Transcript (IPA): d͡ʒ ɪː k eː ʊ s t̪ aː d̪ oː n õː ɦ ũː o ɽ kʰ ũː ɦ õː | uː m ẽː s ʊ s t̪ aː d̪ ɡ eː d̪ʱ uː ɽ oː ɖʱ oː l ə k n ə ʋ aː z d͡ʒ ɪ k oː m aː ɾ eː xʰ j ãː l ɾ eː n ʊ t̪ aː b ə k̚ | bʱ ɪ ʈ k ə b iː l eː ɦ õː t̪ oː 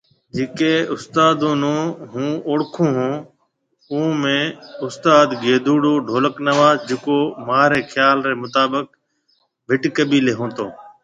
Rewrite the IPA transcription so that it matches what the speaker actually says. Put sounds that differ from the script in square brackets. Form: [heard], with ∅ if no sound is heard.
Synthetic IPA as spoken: d͡ʒ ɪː k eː ʊ s t̪ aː d̪ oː n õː ɦ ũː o ɽ kʰ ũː ɦ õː | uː m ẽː [∅] ʊ s t̪ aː d̪ ɡ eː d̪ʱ uː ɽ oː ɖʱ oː l ə k n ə ʋ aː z d͡ʒ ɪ k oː m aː ɾ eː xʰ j [aː] l ɾ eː [m] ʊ t̪ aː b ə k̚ | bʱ ɪ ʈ k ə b iː l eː ɦ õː t̪ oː